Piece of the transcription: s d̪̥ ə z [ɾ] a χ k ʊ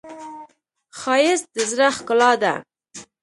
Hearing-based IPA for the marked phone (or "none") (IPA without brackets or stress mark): ɾ